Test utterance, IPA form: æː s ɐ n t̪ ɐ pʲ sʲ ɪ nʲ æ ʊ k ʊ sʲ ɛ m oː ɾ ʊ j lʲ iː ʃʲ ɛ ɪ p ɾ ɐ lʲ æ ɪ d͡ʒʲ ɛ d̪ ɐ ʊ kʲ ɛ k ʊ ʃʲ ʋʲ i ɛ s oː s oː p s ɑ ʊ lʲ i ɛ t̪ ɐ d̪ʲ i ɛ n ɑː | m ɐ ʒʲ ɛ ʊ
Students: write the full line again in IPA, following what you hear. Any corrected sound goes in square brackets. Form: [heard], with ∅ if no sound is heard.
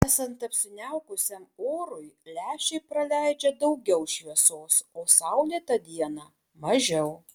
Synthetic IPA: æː s ɐ n t̪ ɐ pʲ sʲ ɪ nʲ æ ʊ k ʊ sʲ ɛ m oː ɾ ʊ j lʲ [æː] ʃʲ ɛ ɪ p ɾ ɐ lʲ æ ɪ d͡ʒʲ ɛ d̪ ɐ ʊ [ɡʲ] ɛ [∅] ʊ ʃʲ ʋʲ i ɛ s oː s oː [∅] s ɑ ʊ lʲ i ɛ t̪ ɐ d̪ʲ i ɛ n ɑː | m ɐ ʒʲ ɛ ʊ

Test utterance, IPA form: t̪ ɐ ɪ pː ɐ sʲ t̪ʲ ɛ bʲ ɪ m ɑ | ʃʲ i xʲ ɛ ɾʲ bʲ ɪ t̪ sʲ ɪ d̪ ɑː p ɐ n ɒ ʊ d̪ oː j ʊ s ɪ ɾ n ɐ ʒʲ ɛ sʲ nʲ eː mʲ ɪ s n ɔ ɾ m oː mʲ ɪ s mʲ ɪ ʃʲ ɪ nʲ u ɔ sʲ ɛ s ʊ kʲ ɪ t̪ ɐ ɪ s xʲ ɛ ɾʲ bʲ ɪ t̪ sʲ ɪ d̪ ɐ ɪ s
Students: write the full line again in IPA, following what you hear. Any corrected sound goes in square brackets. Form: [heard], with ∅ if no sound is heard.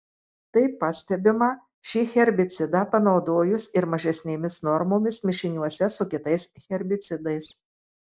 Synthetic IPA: t̪ ɐ ɪ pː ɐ sʲ t̪ʲ ɛ bʲ ɪ m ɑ | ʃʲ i xʲ ɛ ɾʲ bʲ ɪ t̪ sʲ ɪ d̪ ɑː p ɐ n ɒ ʊ d̪ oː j ʊ s ɪ ɾ [m] ɐ ʒʲ ɛ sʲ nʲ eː mʲ ɪ s n ɔ ɾ m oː mʲ ɪ s mʲ ɪ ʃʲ ɪ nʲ u ɔ sʲ ɛ s ʊ kʲ ɪ t̪ ɐ ɪ s xʲ ɛ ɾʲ bʲ ɪ t̪ sʲ ɪ d̪ ɐ ɪ s

